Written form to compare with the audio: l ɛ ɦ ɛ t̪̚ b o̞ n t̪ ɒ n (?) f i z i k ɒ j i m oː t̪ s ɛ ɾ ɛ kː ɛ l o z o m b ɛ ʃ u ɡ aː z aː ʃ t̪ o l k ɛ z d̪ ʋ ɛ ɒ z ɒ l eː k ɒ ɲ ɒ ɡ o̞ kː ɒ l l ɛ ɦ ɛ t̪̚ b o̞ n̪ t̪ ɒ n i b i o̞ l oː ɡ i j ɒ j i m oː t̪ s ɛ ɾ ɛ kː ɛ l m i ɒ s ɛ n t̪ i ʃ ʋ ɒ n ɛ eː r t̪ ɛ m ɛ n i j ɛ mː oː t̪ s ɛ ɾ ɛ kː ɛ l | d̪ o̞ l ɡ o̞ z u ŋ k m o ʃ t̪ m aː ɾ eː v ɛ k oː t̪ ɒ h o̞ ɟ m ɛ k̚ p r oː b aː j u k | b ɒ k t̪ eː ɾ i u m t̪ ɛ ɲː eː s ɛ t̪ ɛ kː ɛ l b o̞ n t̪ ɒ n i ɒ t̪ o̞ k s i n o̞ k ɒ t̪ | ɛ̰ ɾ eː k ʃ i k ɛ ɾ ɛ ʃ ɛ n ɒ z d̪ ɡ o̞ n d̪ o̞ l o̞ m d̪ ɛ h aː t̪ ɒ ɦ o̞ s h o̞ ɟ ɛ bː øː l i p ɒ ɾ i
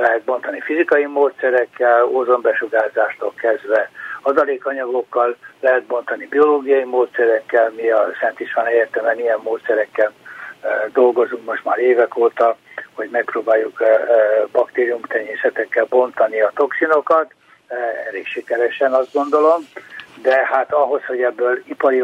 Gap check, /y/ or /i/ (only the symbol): i